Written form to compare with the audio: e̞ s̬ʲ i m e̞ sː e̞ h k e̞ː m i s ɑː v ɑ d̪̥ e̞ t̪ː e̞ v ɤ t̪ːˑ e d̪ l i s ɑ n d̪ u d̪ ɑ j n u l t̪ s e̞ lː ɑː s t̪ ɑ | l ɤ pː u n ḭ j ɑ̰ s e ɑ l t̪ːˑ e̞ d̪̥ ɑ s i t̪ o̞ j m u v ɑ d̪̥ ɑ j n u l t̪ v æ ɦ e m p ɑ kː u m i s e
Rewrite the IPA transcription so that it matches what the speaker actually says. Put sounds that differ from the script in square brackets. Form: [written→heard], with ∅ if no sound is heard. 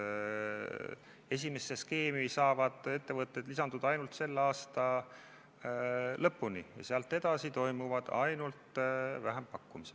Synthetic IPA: e̞ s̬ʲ i m e̞ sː e̞ [h→s] k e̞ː m i s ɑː v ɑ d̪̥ e̞ t̪ː e̞ v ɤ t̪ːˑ e d̪ l i s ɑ n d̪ u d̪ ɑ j n u l t̪ s e̞ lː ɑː s t̪ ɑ | l ɤ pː u n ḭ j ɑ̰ s e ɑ l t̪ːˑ e̞ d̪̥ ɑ s i t̪ o̞ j m u v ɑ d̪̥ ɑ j n u l t̪ v æ ɦ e m p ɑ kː u m i s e